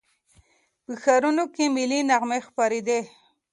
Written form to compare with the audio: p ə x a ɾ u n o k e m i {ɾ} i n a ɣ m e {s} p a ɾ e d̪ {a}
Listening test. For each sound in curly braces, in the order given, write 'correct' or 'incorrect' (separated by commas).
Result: incorrect, incorrect, incorrect